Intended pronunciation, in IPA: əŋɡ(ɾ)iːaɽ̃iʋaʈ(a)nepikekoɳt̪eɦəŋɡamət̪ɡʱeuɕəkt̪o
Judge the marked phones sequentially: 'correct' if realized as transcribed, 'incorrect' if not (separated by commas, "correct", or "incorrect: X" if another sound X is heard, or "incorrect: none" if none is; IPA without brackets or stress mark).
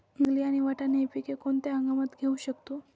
incorrect: l, correct